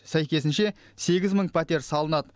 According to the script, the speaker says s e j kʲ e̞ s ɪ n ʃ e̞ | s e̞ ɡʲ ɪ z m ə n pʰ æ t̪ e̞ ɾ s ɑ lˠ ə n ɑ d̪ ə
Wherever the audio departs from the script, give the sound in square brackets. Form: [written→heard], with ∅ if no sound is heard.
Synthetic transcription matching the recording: s [e→æ] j kʲ e̞ s ɪ n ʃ e̞ | s e̞ ɡʲ ɪ z m ə [n→ɴ] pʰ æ t̪ e̞ ɾ s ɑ lˠ ə n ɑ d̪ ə